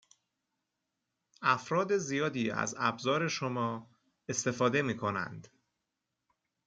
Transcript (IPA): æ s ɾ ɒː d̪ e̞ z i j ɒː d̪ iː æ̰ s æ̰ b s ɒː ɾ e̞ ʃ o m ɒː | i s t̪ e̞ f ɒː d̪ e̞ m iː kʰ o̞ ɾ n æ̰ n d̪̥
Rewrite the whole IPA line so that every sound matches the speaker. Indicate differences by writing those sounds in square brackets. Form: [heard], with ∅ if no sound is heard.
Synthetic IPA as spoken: æ [f] ɾ ɒː d̪ e̞ z i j ɒː d̪ iː æ̰ [z] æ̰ b [z] ɒː ɾ e̞ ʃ o m ɒː | [e] s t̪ e̞ f ɒː d̪ e̞ m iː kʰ o̞ [∅] n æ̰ n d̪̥